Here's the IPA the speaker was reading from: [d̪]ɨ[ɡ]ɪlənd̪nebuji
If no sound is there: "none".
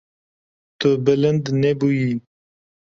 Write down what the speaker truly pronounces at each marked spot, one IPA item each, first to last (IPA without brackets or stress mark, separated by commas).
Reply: t̪, b